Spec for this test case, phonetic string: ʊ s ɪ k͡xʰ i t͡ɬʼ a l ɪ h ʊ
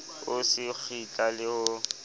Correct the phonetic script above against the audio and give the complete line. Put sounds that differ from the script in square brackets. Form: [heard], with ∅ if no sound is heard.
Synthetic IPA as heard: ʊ s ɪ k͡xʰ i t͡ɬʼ a l ɪ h ʊ